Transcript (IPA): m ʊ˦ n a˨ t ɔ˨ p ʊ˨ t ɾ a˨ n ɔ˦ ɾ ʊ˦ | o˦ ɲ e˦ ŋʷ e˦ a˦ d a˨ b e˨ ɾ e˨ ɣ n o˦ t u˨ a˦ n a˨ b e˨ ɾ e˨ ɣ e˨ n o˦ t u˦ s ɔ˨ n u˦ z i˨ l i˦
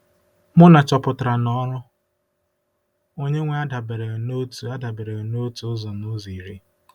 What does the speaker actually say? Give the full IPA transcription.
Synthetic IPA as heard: m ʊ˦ n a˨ t͡ʃ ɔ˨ p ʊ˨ t ɾ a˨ n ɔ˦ ɾ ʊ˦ | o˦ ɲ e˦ ŋʷ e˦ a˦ d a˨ b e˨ ɾ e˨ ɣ n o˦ t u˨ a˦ d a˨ b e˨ ɾ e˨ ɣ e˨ n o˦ t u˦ z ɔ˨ n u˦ z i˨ ɾ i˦

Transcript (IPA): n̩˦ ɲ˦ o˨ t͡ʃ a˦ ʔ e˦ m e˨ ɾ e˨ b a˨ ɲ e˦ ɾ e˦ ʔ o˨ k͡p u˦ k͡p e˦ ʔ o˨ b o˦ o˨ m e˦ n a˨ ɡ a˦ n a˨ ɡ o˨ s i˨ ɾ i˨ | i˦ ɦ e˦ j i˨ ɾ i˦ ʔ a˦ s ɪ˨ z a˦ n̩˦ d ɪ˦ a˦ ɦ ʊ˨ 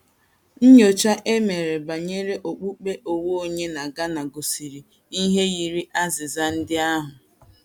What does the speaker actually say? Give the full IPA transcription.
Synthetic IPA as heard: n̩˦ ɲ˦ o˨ t͡ʃ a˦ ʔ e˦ m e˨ ɾ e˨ b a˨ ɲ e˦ ɾ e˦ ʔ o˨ k͡p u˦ k͡p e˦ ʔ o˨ w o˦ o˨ ɲ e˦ n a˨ ɡ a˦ n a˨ ɡ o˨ s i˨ ɾ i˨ | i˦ ɦ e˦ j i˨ ɾ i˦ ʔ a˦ z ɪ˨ z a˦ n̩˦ d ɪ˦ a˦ ɦ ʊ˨

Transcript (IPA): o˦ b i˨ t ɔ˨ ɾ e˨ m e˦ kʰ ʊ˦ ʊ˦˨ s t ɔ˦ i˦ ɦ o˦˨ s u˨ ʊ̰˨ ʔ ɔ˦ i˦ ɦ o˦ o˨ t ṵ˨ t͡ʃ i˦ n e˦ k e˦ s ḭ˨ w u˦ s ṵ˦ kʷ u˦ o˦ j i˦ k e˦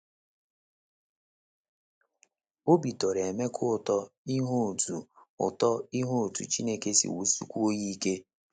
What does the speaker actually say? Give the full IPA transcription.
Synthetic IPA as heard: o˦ b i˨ t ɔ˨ ɾ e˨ m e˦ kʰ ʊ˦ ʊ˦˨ t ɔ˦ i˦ ɦ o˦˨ t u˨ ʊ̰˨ t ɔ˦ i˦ ɦ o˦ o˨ t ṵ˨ t͡ʃ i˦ n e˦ k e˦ s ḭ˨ w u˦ s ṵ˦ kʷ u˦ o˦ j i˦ k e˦

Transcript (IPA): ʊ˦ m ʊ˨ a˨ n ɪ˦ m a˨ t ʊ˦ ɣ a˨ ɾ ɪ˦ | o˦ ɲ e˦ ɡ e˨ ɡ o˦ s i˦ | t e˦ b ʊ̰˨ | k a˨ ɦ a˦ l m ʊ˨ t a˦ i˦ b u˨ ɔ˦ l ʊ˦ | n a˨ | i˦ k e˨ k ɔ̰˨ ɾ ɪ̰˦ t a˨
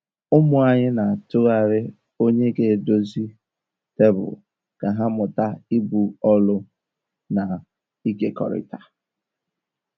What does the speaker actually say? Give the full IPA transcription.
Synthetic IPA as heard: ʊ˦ m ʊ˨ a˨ ɲ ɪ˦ n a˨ t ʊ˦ ɣ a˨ ɾ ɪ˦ | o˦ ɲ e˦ ɡ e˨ d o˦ z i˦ | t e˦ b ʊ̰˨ | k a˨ ɦ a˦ m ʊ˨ t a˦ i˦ b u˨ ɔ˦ l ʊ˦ | n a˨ | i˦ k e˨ k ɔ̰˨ ɾ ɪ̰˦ t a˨

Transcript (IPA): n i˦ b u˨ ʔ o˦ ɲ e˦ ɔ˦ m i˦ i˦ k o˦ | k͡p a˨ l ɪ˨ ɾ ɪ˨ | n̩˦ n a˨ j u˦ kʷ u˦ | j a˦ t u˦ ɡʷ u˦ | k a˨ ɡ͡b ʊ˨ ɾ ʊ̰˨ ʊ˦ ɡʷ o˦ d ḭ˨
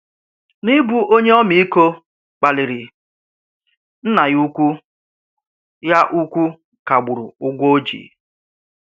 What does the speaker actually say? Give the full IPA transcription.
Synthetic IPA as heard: n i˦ b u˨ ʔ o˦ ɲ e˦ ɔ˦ m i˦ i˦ k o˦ | k͡p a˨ l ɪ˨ ɾ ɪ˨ | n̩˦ n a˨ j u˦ kʷ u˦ | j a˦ ʔ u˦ kʷ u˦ | k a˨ ɡ͡b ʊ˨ ɾ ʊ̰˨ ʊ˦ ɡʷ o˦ d͡ʒ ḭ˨

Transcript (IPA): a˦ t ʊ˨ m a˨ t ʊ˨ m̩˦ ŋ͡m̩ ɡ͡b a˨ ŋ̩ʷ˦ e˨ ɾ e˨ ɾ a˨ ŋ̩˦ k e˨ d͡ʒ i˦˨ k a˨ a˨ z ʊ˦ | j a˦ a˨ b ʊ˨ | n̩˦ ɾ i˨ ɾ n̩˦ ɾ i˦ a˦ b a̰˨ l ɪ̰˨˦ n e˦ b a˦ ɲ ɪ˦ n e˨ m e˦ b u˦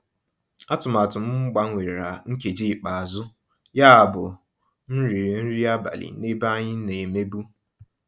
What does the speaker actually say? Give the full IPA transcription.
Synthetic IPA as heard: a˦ t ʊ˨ m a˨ t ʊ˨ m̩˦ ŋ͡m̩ ɡ͡b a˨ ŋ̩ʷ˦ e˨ ɾ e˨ ɾ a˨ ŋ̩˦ k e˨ d͡ʒ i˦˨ k͡p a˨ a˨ z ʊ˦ | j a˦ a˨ b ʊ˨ | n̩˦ ɾ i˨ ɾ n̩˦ ɾ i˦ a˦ b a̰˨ l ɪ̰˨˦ n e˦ b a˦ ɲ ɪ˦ n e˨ m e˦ b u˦

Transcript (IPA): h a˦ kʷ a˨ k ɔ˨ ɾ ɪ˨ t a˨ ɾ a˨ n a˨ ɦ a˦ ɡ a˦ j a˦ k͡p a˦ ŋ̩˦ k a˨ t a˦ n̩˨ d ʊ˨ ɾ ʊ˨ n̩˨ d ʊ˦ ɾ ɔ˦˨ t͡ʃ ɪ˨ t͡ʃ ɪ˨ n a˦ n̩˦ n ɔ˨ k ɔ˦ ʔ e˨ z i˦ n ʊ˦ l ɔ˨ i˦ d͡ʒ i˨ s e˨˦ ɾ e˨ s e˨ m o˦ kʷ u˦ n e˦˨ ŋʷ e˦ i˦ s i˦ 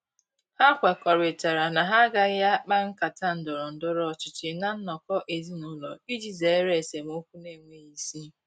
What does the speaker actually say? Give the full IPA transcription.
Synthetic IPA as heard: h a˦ kʷ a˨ k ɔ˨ ɾ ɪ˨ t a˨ ɾ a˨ n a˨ ɦ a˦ ɡ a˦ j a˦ k͡p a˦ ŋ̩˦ k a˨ t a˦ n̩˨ d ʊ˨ ɾ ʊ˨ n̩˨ d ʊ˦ ɾ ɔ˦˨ t͡ʃ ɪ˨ t͡ʃ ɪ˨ n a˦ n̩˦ n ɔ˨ k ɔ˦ ʔ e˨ z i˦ n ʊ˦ l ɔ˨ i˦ d͡ʒ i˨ z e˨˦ ɾ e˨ s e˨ m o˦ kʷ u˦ n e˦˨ ŋʷ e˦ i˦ s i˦

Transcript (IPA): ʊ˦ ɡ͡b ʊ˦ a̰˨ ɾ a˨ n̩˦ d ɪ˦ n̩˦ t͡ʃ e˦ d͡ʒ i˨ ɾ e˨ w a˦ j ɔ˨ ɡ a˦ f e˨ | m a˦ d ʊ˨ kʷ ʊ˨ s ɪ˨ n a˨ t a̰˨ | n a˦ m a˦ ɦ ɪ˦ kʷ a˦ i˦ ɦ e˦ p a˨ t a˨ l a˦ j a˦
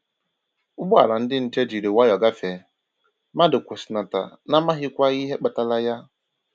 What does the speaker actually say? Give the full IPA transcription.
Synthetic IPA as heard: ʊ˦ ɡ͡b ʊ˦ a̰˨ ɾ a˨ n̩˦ d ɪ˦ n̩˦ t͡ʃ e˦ d͡ʒ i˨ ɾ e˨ w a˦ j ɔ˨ ɡ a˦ f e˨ | m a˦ d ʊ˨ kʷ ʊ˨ s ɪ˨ n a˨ t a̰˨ | n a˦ m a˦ ɦ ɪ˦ kʷ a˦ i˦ ɦ e˦ k͡p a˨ t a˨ l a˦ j a˦

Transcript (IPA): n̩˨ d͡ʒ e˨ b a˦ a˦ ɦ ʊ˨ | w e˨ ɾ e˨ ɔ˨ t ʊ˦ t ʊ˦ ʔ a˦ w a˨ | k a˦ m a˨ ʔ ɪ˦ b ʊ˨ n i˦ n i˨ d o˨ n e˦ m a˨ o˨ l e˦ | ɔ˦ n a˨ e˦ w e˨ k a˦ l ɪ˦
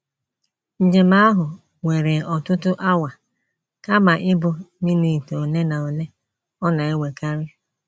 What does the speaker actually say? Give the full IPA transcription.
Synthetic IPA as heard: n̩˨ d͡ʒ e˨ m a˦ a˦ ɦ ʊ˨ | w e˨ ɾ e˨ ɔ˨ t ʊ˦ t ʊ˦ ʔ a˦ w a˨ | k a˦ m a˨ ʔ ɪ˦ b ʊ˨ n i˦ n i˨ t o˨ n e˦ n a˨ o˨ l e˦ | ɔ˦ n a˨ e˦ w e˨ k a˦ ɾ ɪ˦

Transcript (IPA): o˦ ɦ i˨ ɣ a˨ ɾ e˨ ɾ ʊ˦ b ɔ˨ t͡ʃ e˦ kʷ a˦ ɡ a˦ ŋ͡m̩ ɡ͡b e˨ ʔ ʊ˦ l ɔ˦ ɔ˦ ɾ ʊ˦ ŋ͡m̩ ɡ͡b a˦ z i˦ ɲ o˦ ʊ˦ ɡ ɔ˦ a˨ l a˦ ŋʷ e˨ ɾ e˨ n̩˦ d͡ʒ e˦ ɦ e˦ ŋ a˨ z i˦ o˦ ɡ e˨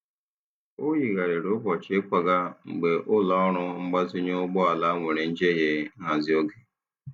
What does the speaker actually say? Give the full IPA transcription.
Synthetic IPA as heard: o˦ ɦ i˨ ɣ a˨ ɾ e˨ ɾ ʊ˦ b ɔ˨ t͡ʃ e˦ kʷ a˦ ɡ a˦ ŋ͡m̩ ɡ͡b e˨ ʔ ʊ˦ l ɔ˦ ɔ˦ ɾ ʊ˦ ŋ͡m̩ ɡ͡b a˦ z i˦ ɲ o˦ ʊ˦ ɡ͡b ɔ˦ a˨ l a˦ ŋʷ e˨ ɾ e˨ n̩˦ d͡ʒ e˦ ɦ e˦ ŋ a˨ z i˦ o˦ ɡ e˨

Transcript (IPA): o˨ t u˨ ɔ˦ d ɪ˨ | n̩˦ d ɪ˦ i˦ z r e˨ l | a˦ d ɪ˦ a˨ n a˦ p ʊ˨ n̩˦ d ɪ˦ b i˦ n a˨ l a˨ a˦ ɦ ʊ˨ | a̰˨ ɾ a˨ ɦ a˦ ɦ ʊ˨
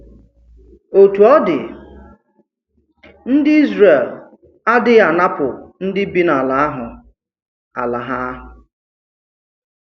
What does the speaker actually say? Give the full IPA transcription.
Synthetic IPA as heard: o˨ t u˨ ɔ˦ d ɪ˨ | n̩˦ d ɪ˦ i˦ z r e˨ l | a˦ d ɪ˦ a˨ n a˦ p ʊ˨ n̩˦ d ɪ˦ b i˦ n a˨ l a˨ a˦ ɦ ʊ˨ | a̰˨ l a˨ ɦ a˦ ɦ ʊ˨

